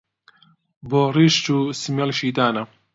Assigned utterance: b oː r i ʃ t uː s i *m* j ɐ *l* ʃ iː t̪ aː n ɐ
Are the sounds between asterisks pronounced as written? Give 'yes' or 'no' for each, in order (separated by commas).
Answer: yes, yes